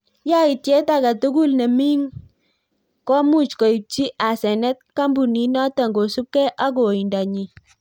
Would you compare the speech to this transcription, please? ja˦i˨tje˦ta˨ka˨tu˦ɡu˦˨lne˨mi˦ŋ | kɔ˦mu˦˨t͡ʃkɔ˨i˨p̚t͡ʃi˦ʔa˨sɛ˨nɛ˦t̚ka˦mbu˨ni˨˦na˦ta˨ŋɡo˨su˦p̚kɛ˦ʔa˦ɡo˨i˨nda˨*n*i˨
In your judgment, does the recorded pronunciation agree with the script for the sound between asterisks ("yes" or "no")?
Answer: no